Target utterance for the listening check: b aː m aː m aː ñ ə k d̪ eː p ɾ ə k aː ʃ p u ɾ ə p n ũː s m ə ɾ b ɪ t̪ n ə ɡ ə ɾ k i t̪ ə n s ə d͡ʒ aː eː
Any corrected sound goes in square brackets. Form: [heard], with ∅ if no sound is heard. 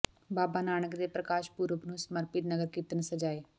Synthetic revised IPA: b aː [b] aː [n] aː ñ ə k d̪ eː p ɾ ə k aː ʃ p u ɾ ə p n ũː s m ə ɾ [p] ɪ t̪ n ə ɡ ə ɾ k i t̪ ə n s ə d͡ʒ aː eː